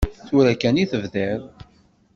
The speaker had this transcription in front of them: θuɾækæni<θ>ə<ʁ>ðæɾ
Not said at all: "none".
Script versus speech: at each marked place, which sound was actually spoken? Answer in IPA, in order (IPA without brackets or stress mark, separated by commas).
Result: θ, v